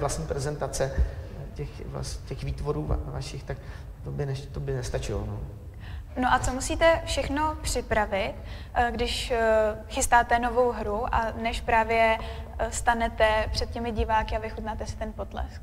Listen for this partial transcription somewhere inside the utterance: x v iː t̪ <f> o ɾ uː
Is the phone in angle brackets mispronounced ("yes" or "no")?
yes